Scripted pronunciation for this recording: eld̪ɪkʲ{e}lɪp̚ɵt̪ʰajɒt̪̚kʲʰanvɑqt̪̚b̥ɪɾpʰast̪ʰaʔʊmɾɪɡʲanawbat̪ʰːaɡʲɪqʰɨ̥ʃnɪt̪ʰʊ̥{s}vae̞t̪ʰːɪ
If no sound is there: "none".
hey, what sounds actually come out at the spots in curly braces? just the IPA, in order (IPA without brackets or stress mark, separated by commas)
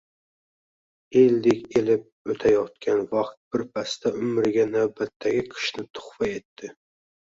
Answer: e, χ